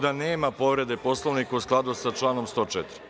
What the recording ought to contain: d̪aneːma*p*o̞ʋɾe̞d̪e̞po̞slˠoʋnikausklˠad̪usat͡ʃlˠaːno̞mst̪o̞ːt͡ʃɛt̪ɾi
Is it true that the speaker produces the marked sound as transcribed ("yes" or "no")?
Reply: yes